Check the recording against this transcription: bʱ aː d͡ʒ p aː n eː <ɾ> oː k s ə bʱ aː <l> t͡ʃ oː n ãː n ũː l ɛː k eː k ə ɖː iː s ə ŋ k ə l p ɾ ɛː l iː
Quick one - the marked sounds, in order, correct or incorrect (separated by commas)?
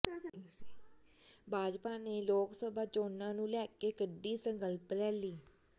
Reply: incorrect, incorrect